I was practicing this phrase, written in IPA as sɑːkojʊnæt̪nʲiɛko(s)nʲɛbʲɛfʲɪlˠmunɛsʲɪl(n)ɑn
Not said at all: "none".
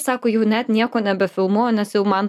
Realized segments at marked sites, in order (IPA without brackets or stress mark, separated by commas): none, m